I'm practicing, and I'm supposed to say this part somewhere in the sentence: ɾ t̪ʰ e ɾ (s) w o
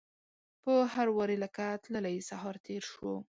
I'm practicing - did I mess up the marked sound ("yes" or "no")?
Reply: yes